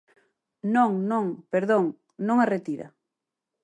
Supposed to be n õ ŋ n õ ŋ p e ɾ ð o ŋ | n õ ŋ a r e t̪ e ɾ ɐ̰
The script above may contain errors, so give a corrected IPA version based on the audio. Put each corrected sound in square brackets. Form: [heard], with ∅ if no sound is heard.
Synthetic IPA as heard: n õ ŋ n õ ŋ p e ɾ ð o ŋ | n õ ŋ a r e t̪ [i] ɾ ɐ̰